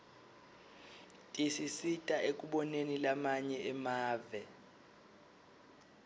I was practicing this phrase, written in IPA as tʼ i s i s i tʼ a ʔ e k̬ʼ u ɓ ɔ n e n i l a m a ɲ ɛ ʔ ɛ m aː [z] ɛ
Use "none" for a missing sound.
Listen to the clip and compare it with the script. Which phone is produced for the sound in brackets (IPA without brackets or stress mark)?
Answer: v